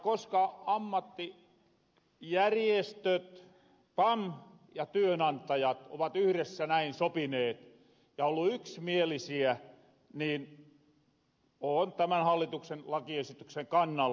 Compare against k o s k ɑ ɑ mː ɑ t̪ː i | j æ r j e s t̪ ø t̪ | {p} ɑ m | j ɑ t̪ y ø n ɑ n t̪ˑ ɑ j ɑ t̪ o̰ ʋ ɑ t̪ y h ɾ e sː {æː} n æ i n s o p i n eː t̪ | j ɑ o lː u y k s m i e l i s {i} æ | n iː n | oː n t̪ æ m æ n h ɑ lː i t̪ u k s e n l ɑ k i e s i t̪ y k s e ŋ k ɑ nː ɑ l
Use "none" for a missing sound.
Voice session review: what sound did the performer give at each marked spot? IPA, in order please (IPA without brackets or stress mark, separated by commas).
p, æ, i